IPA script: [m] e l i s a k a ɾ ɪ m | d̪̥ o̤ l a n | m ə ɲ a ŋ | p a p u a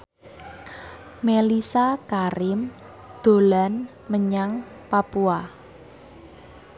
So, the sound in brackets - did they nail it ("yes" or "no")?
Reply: yes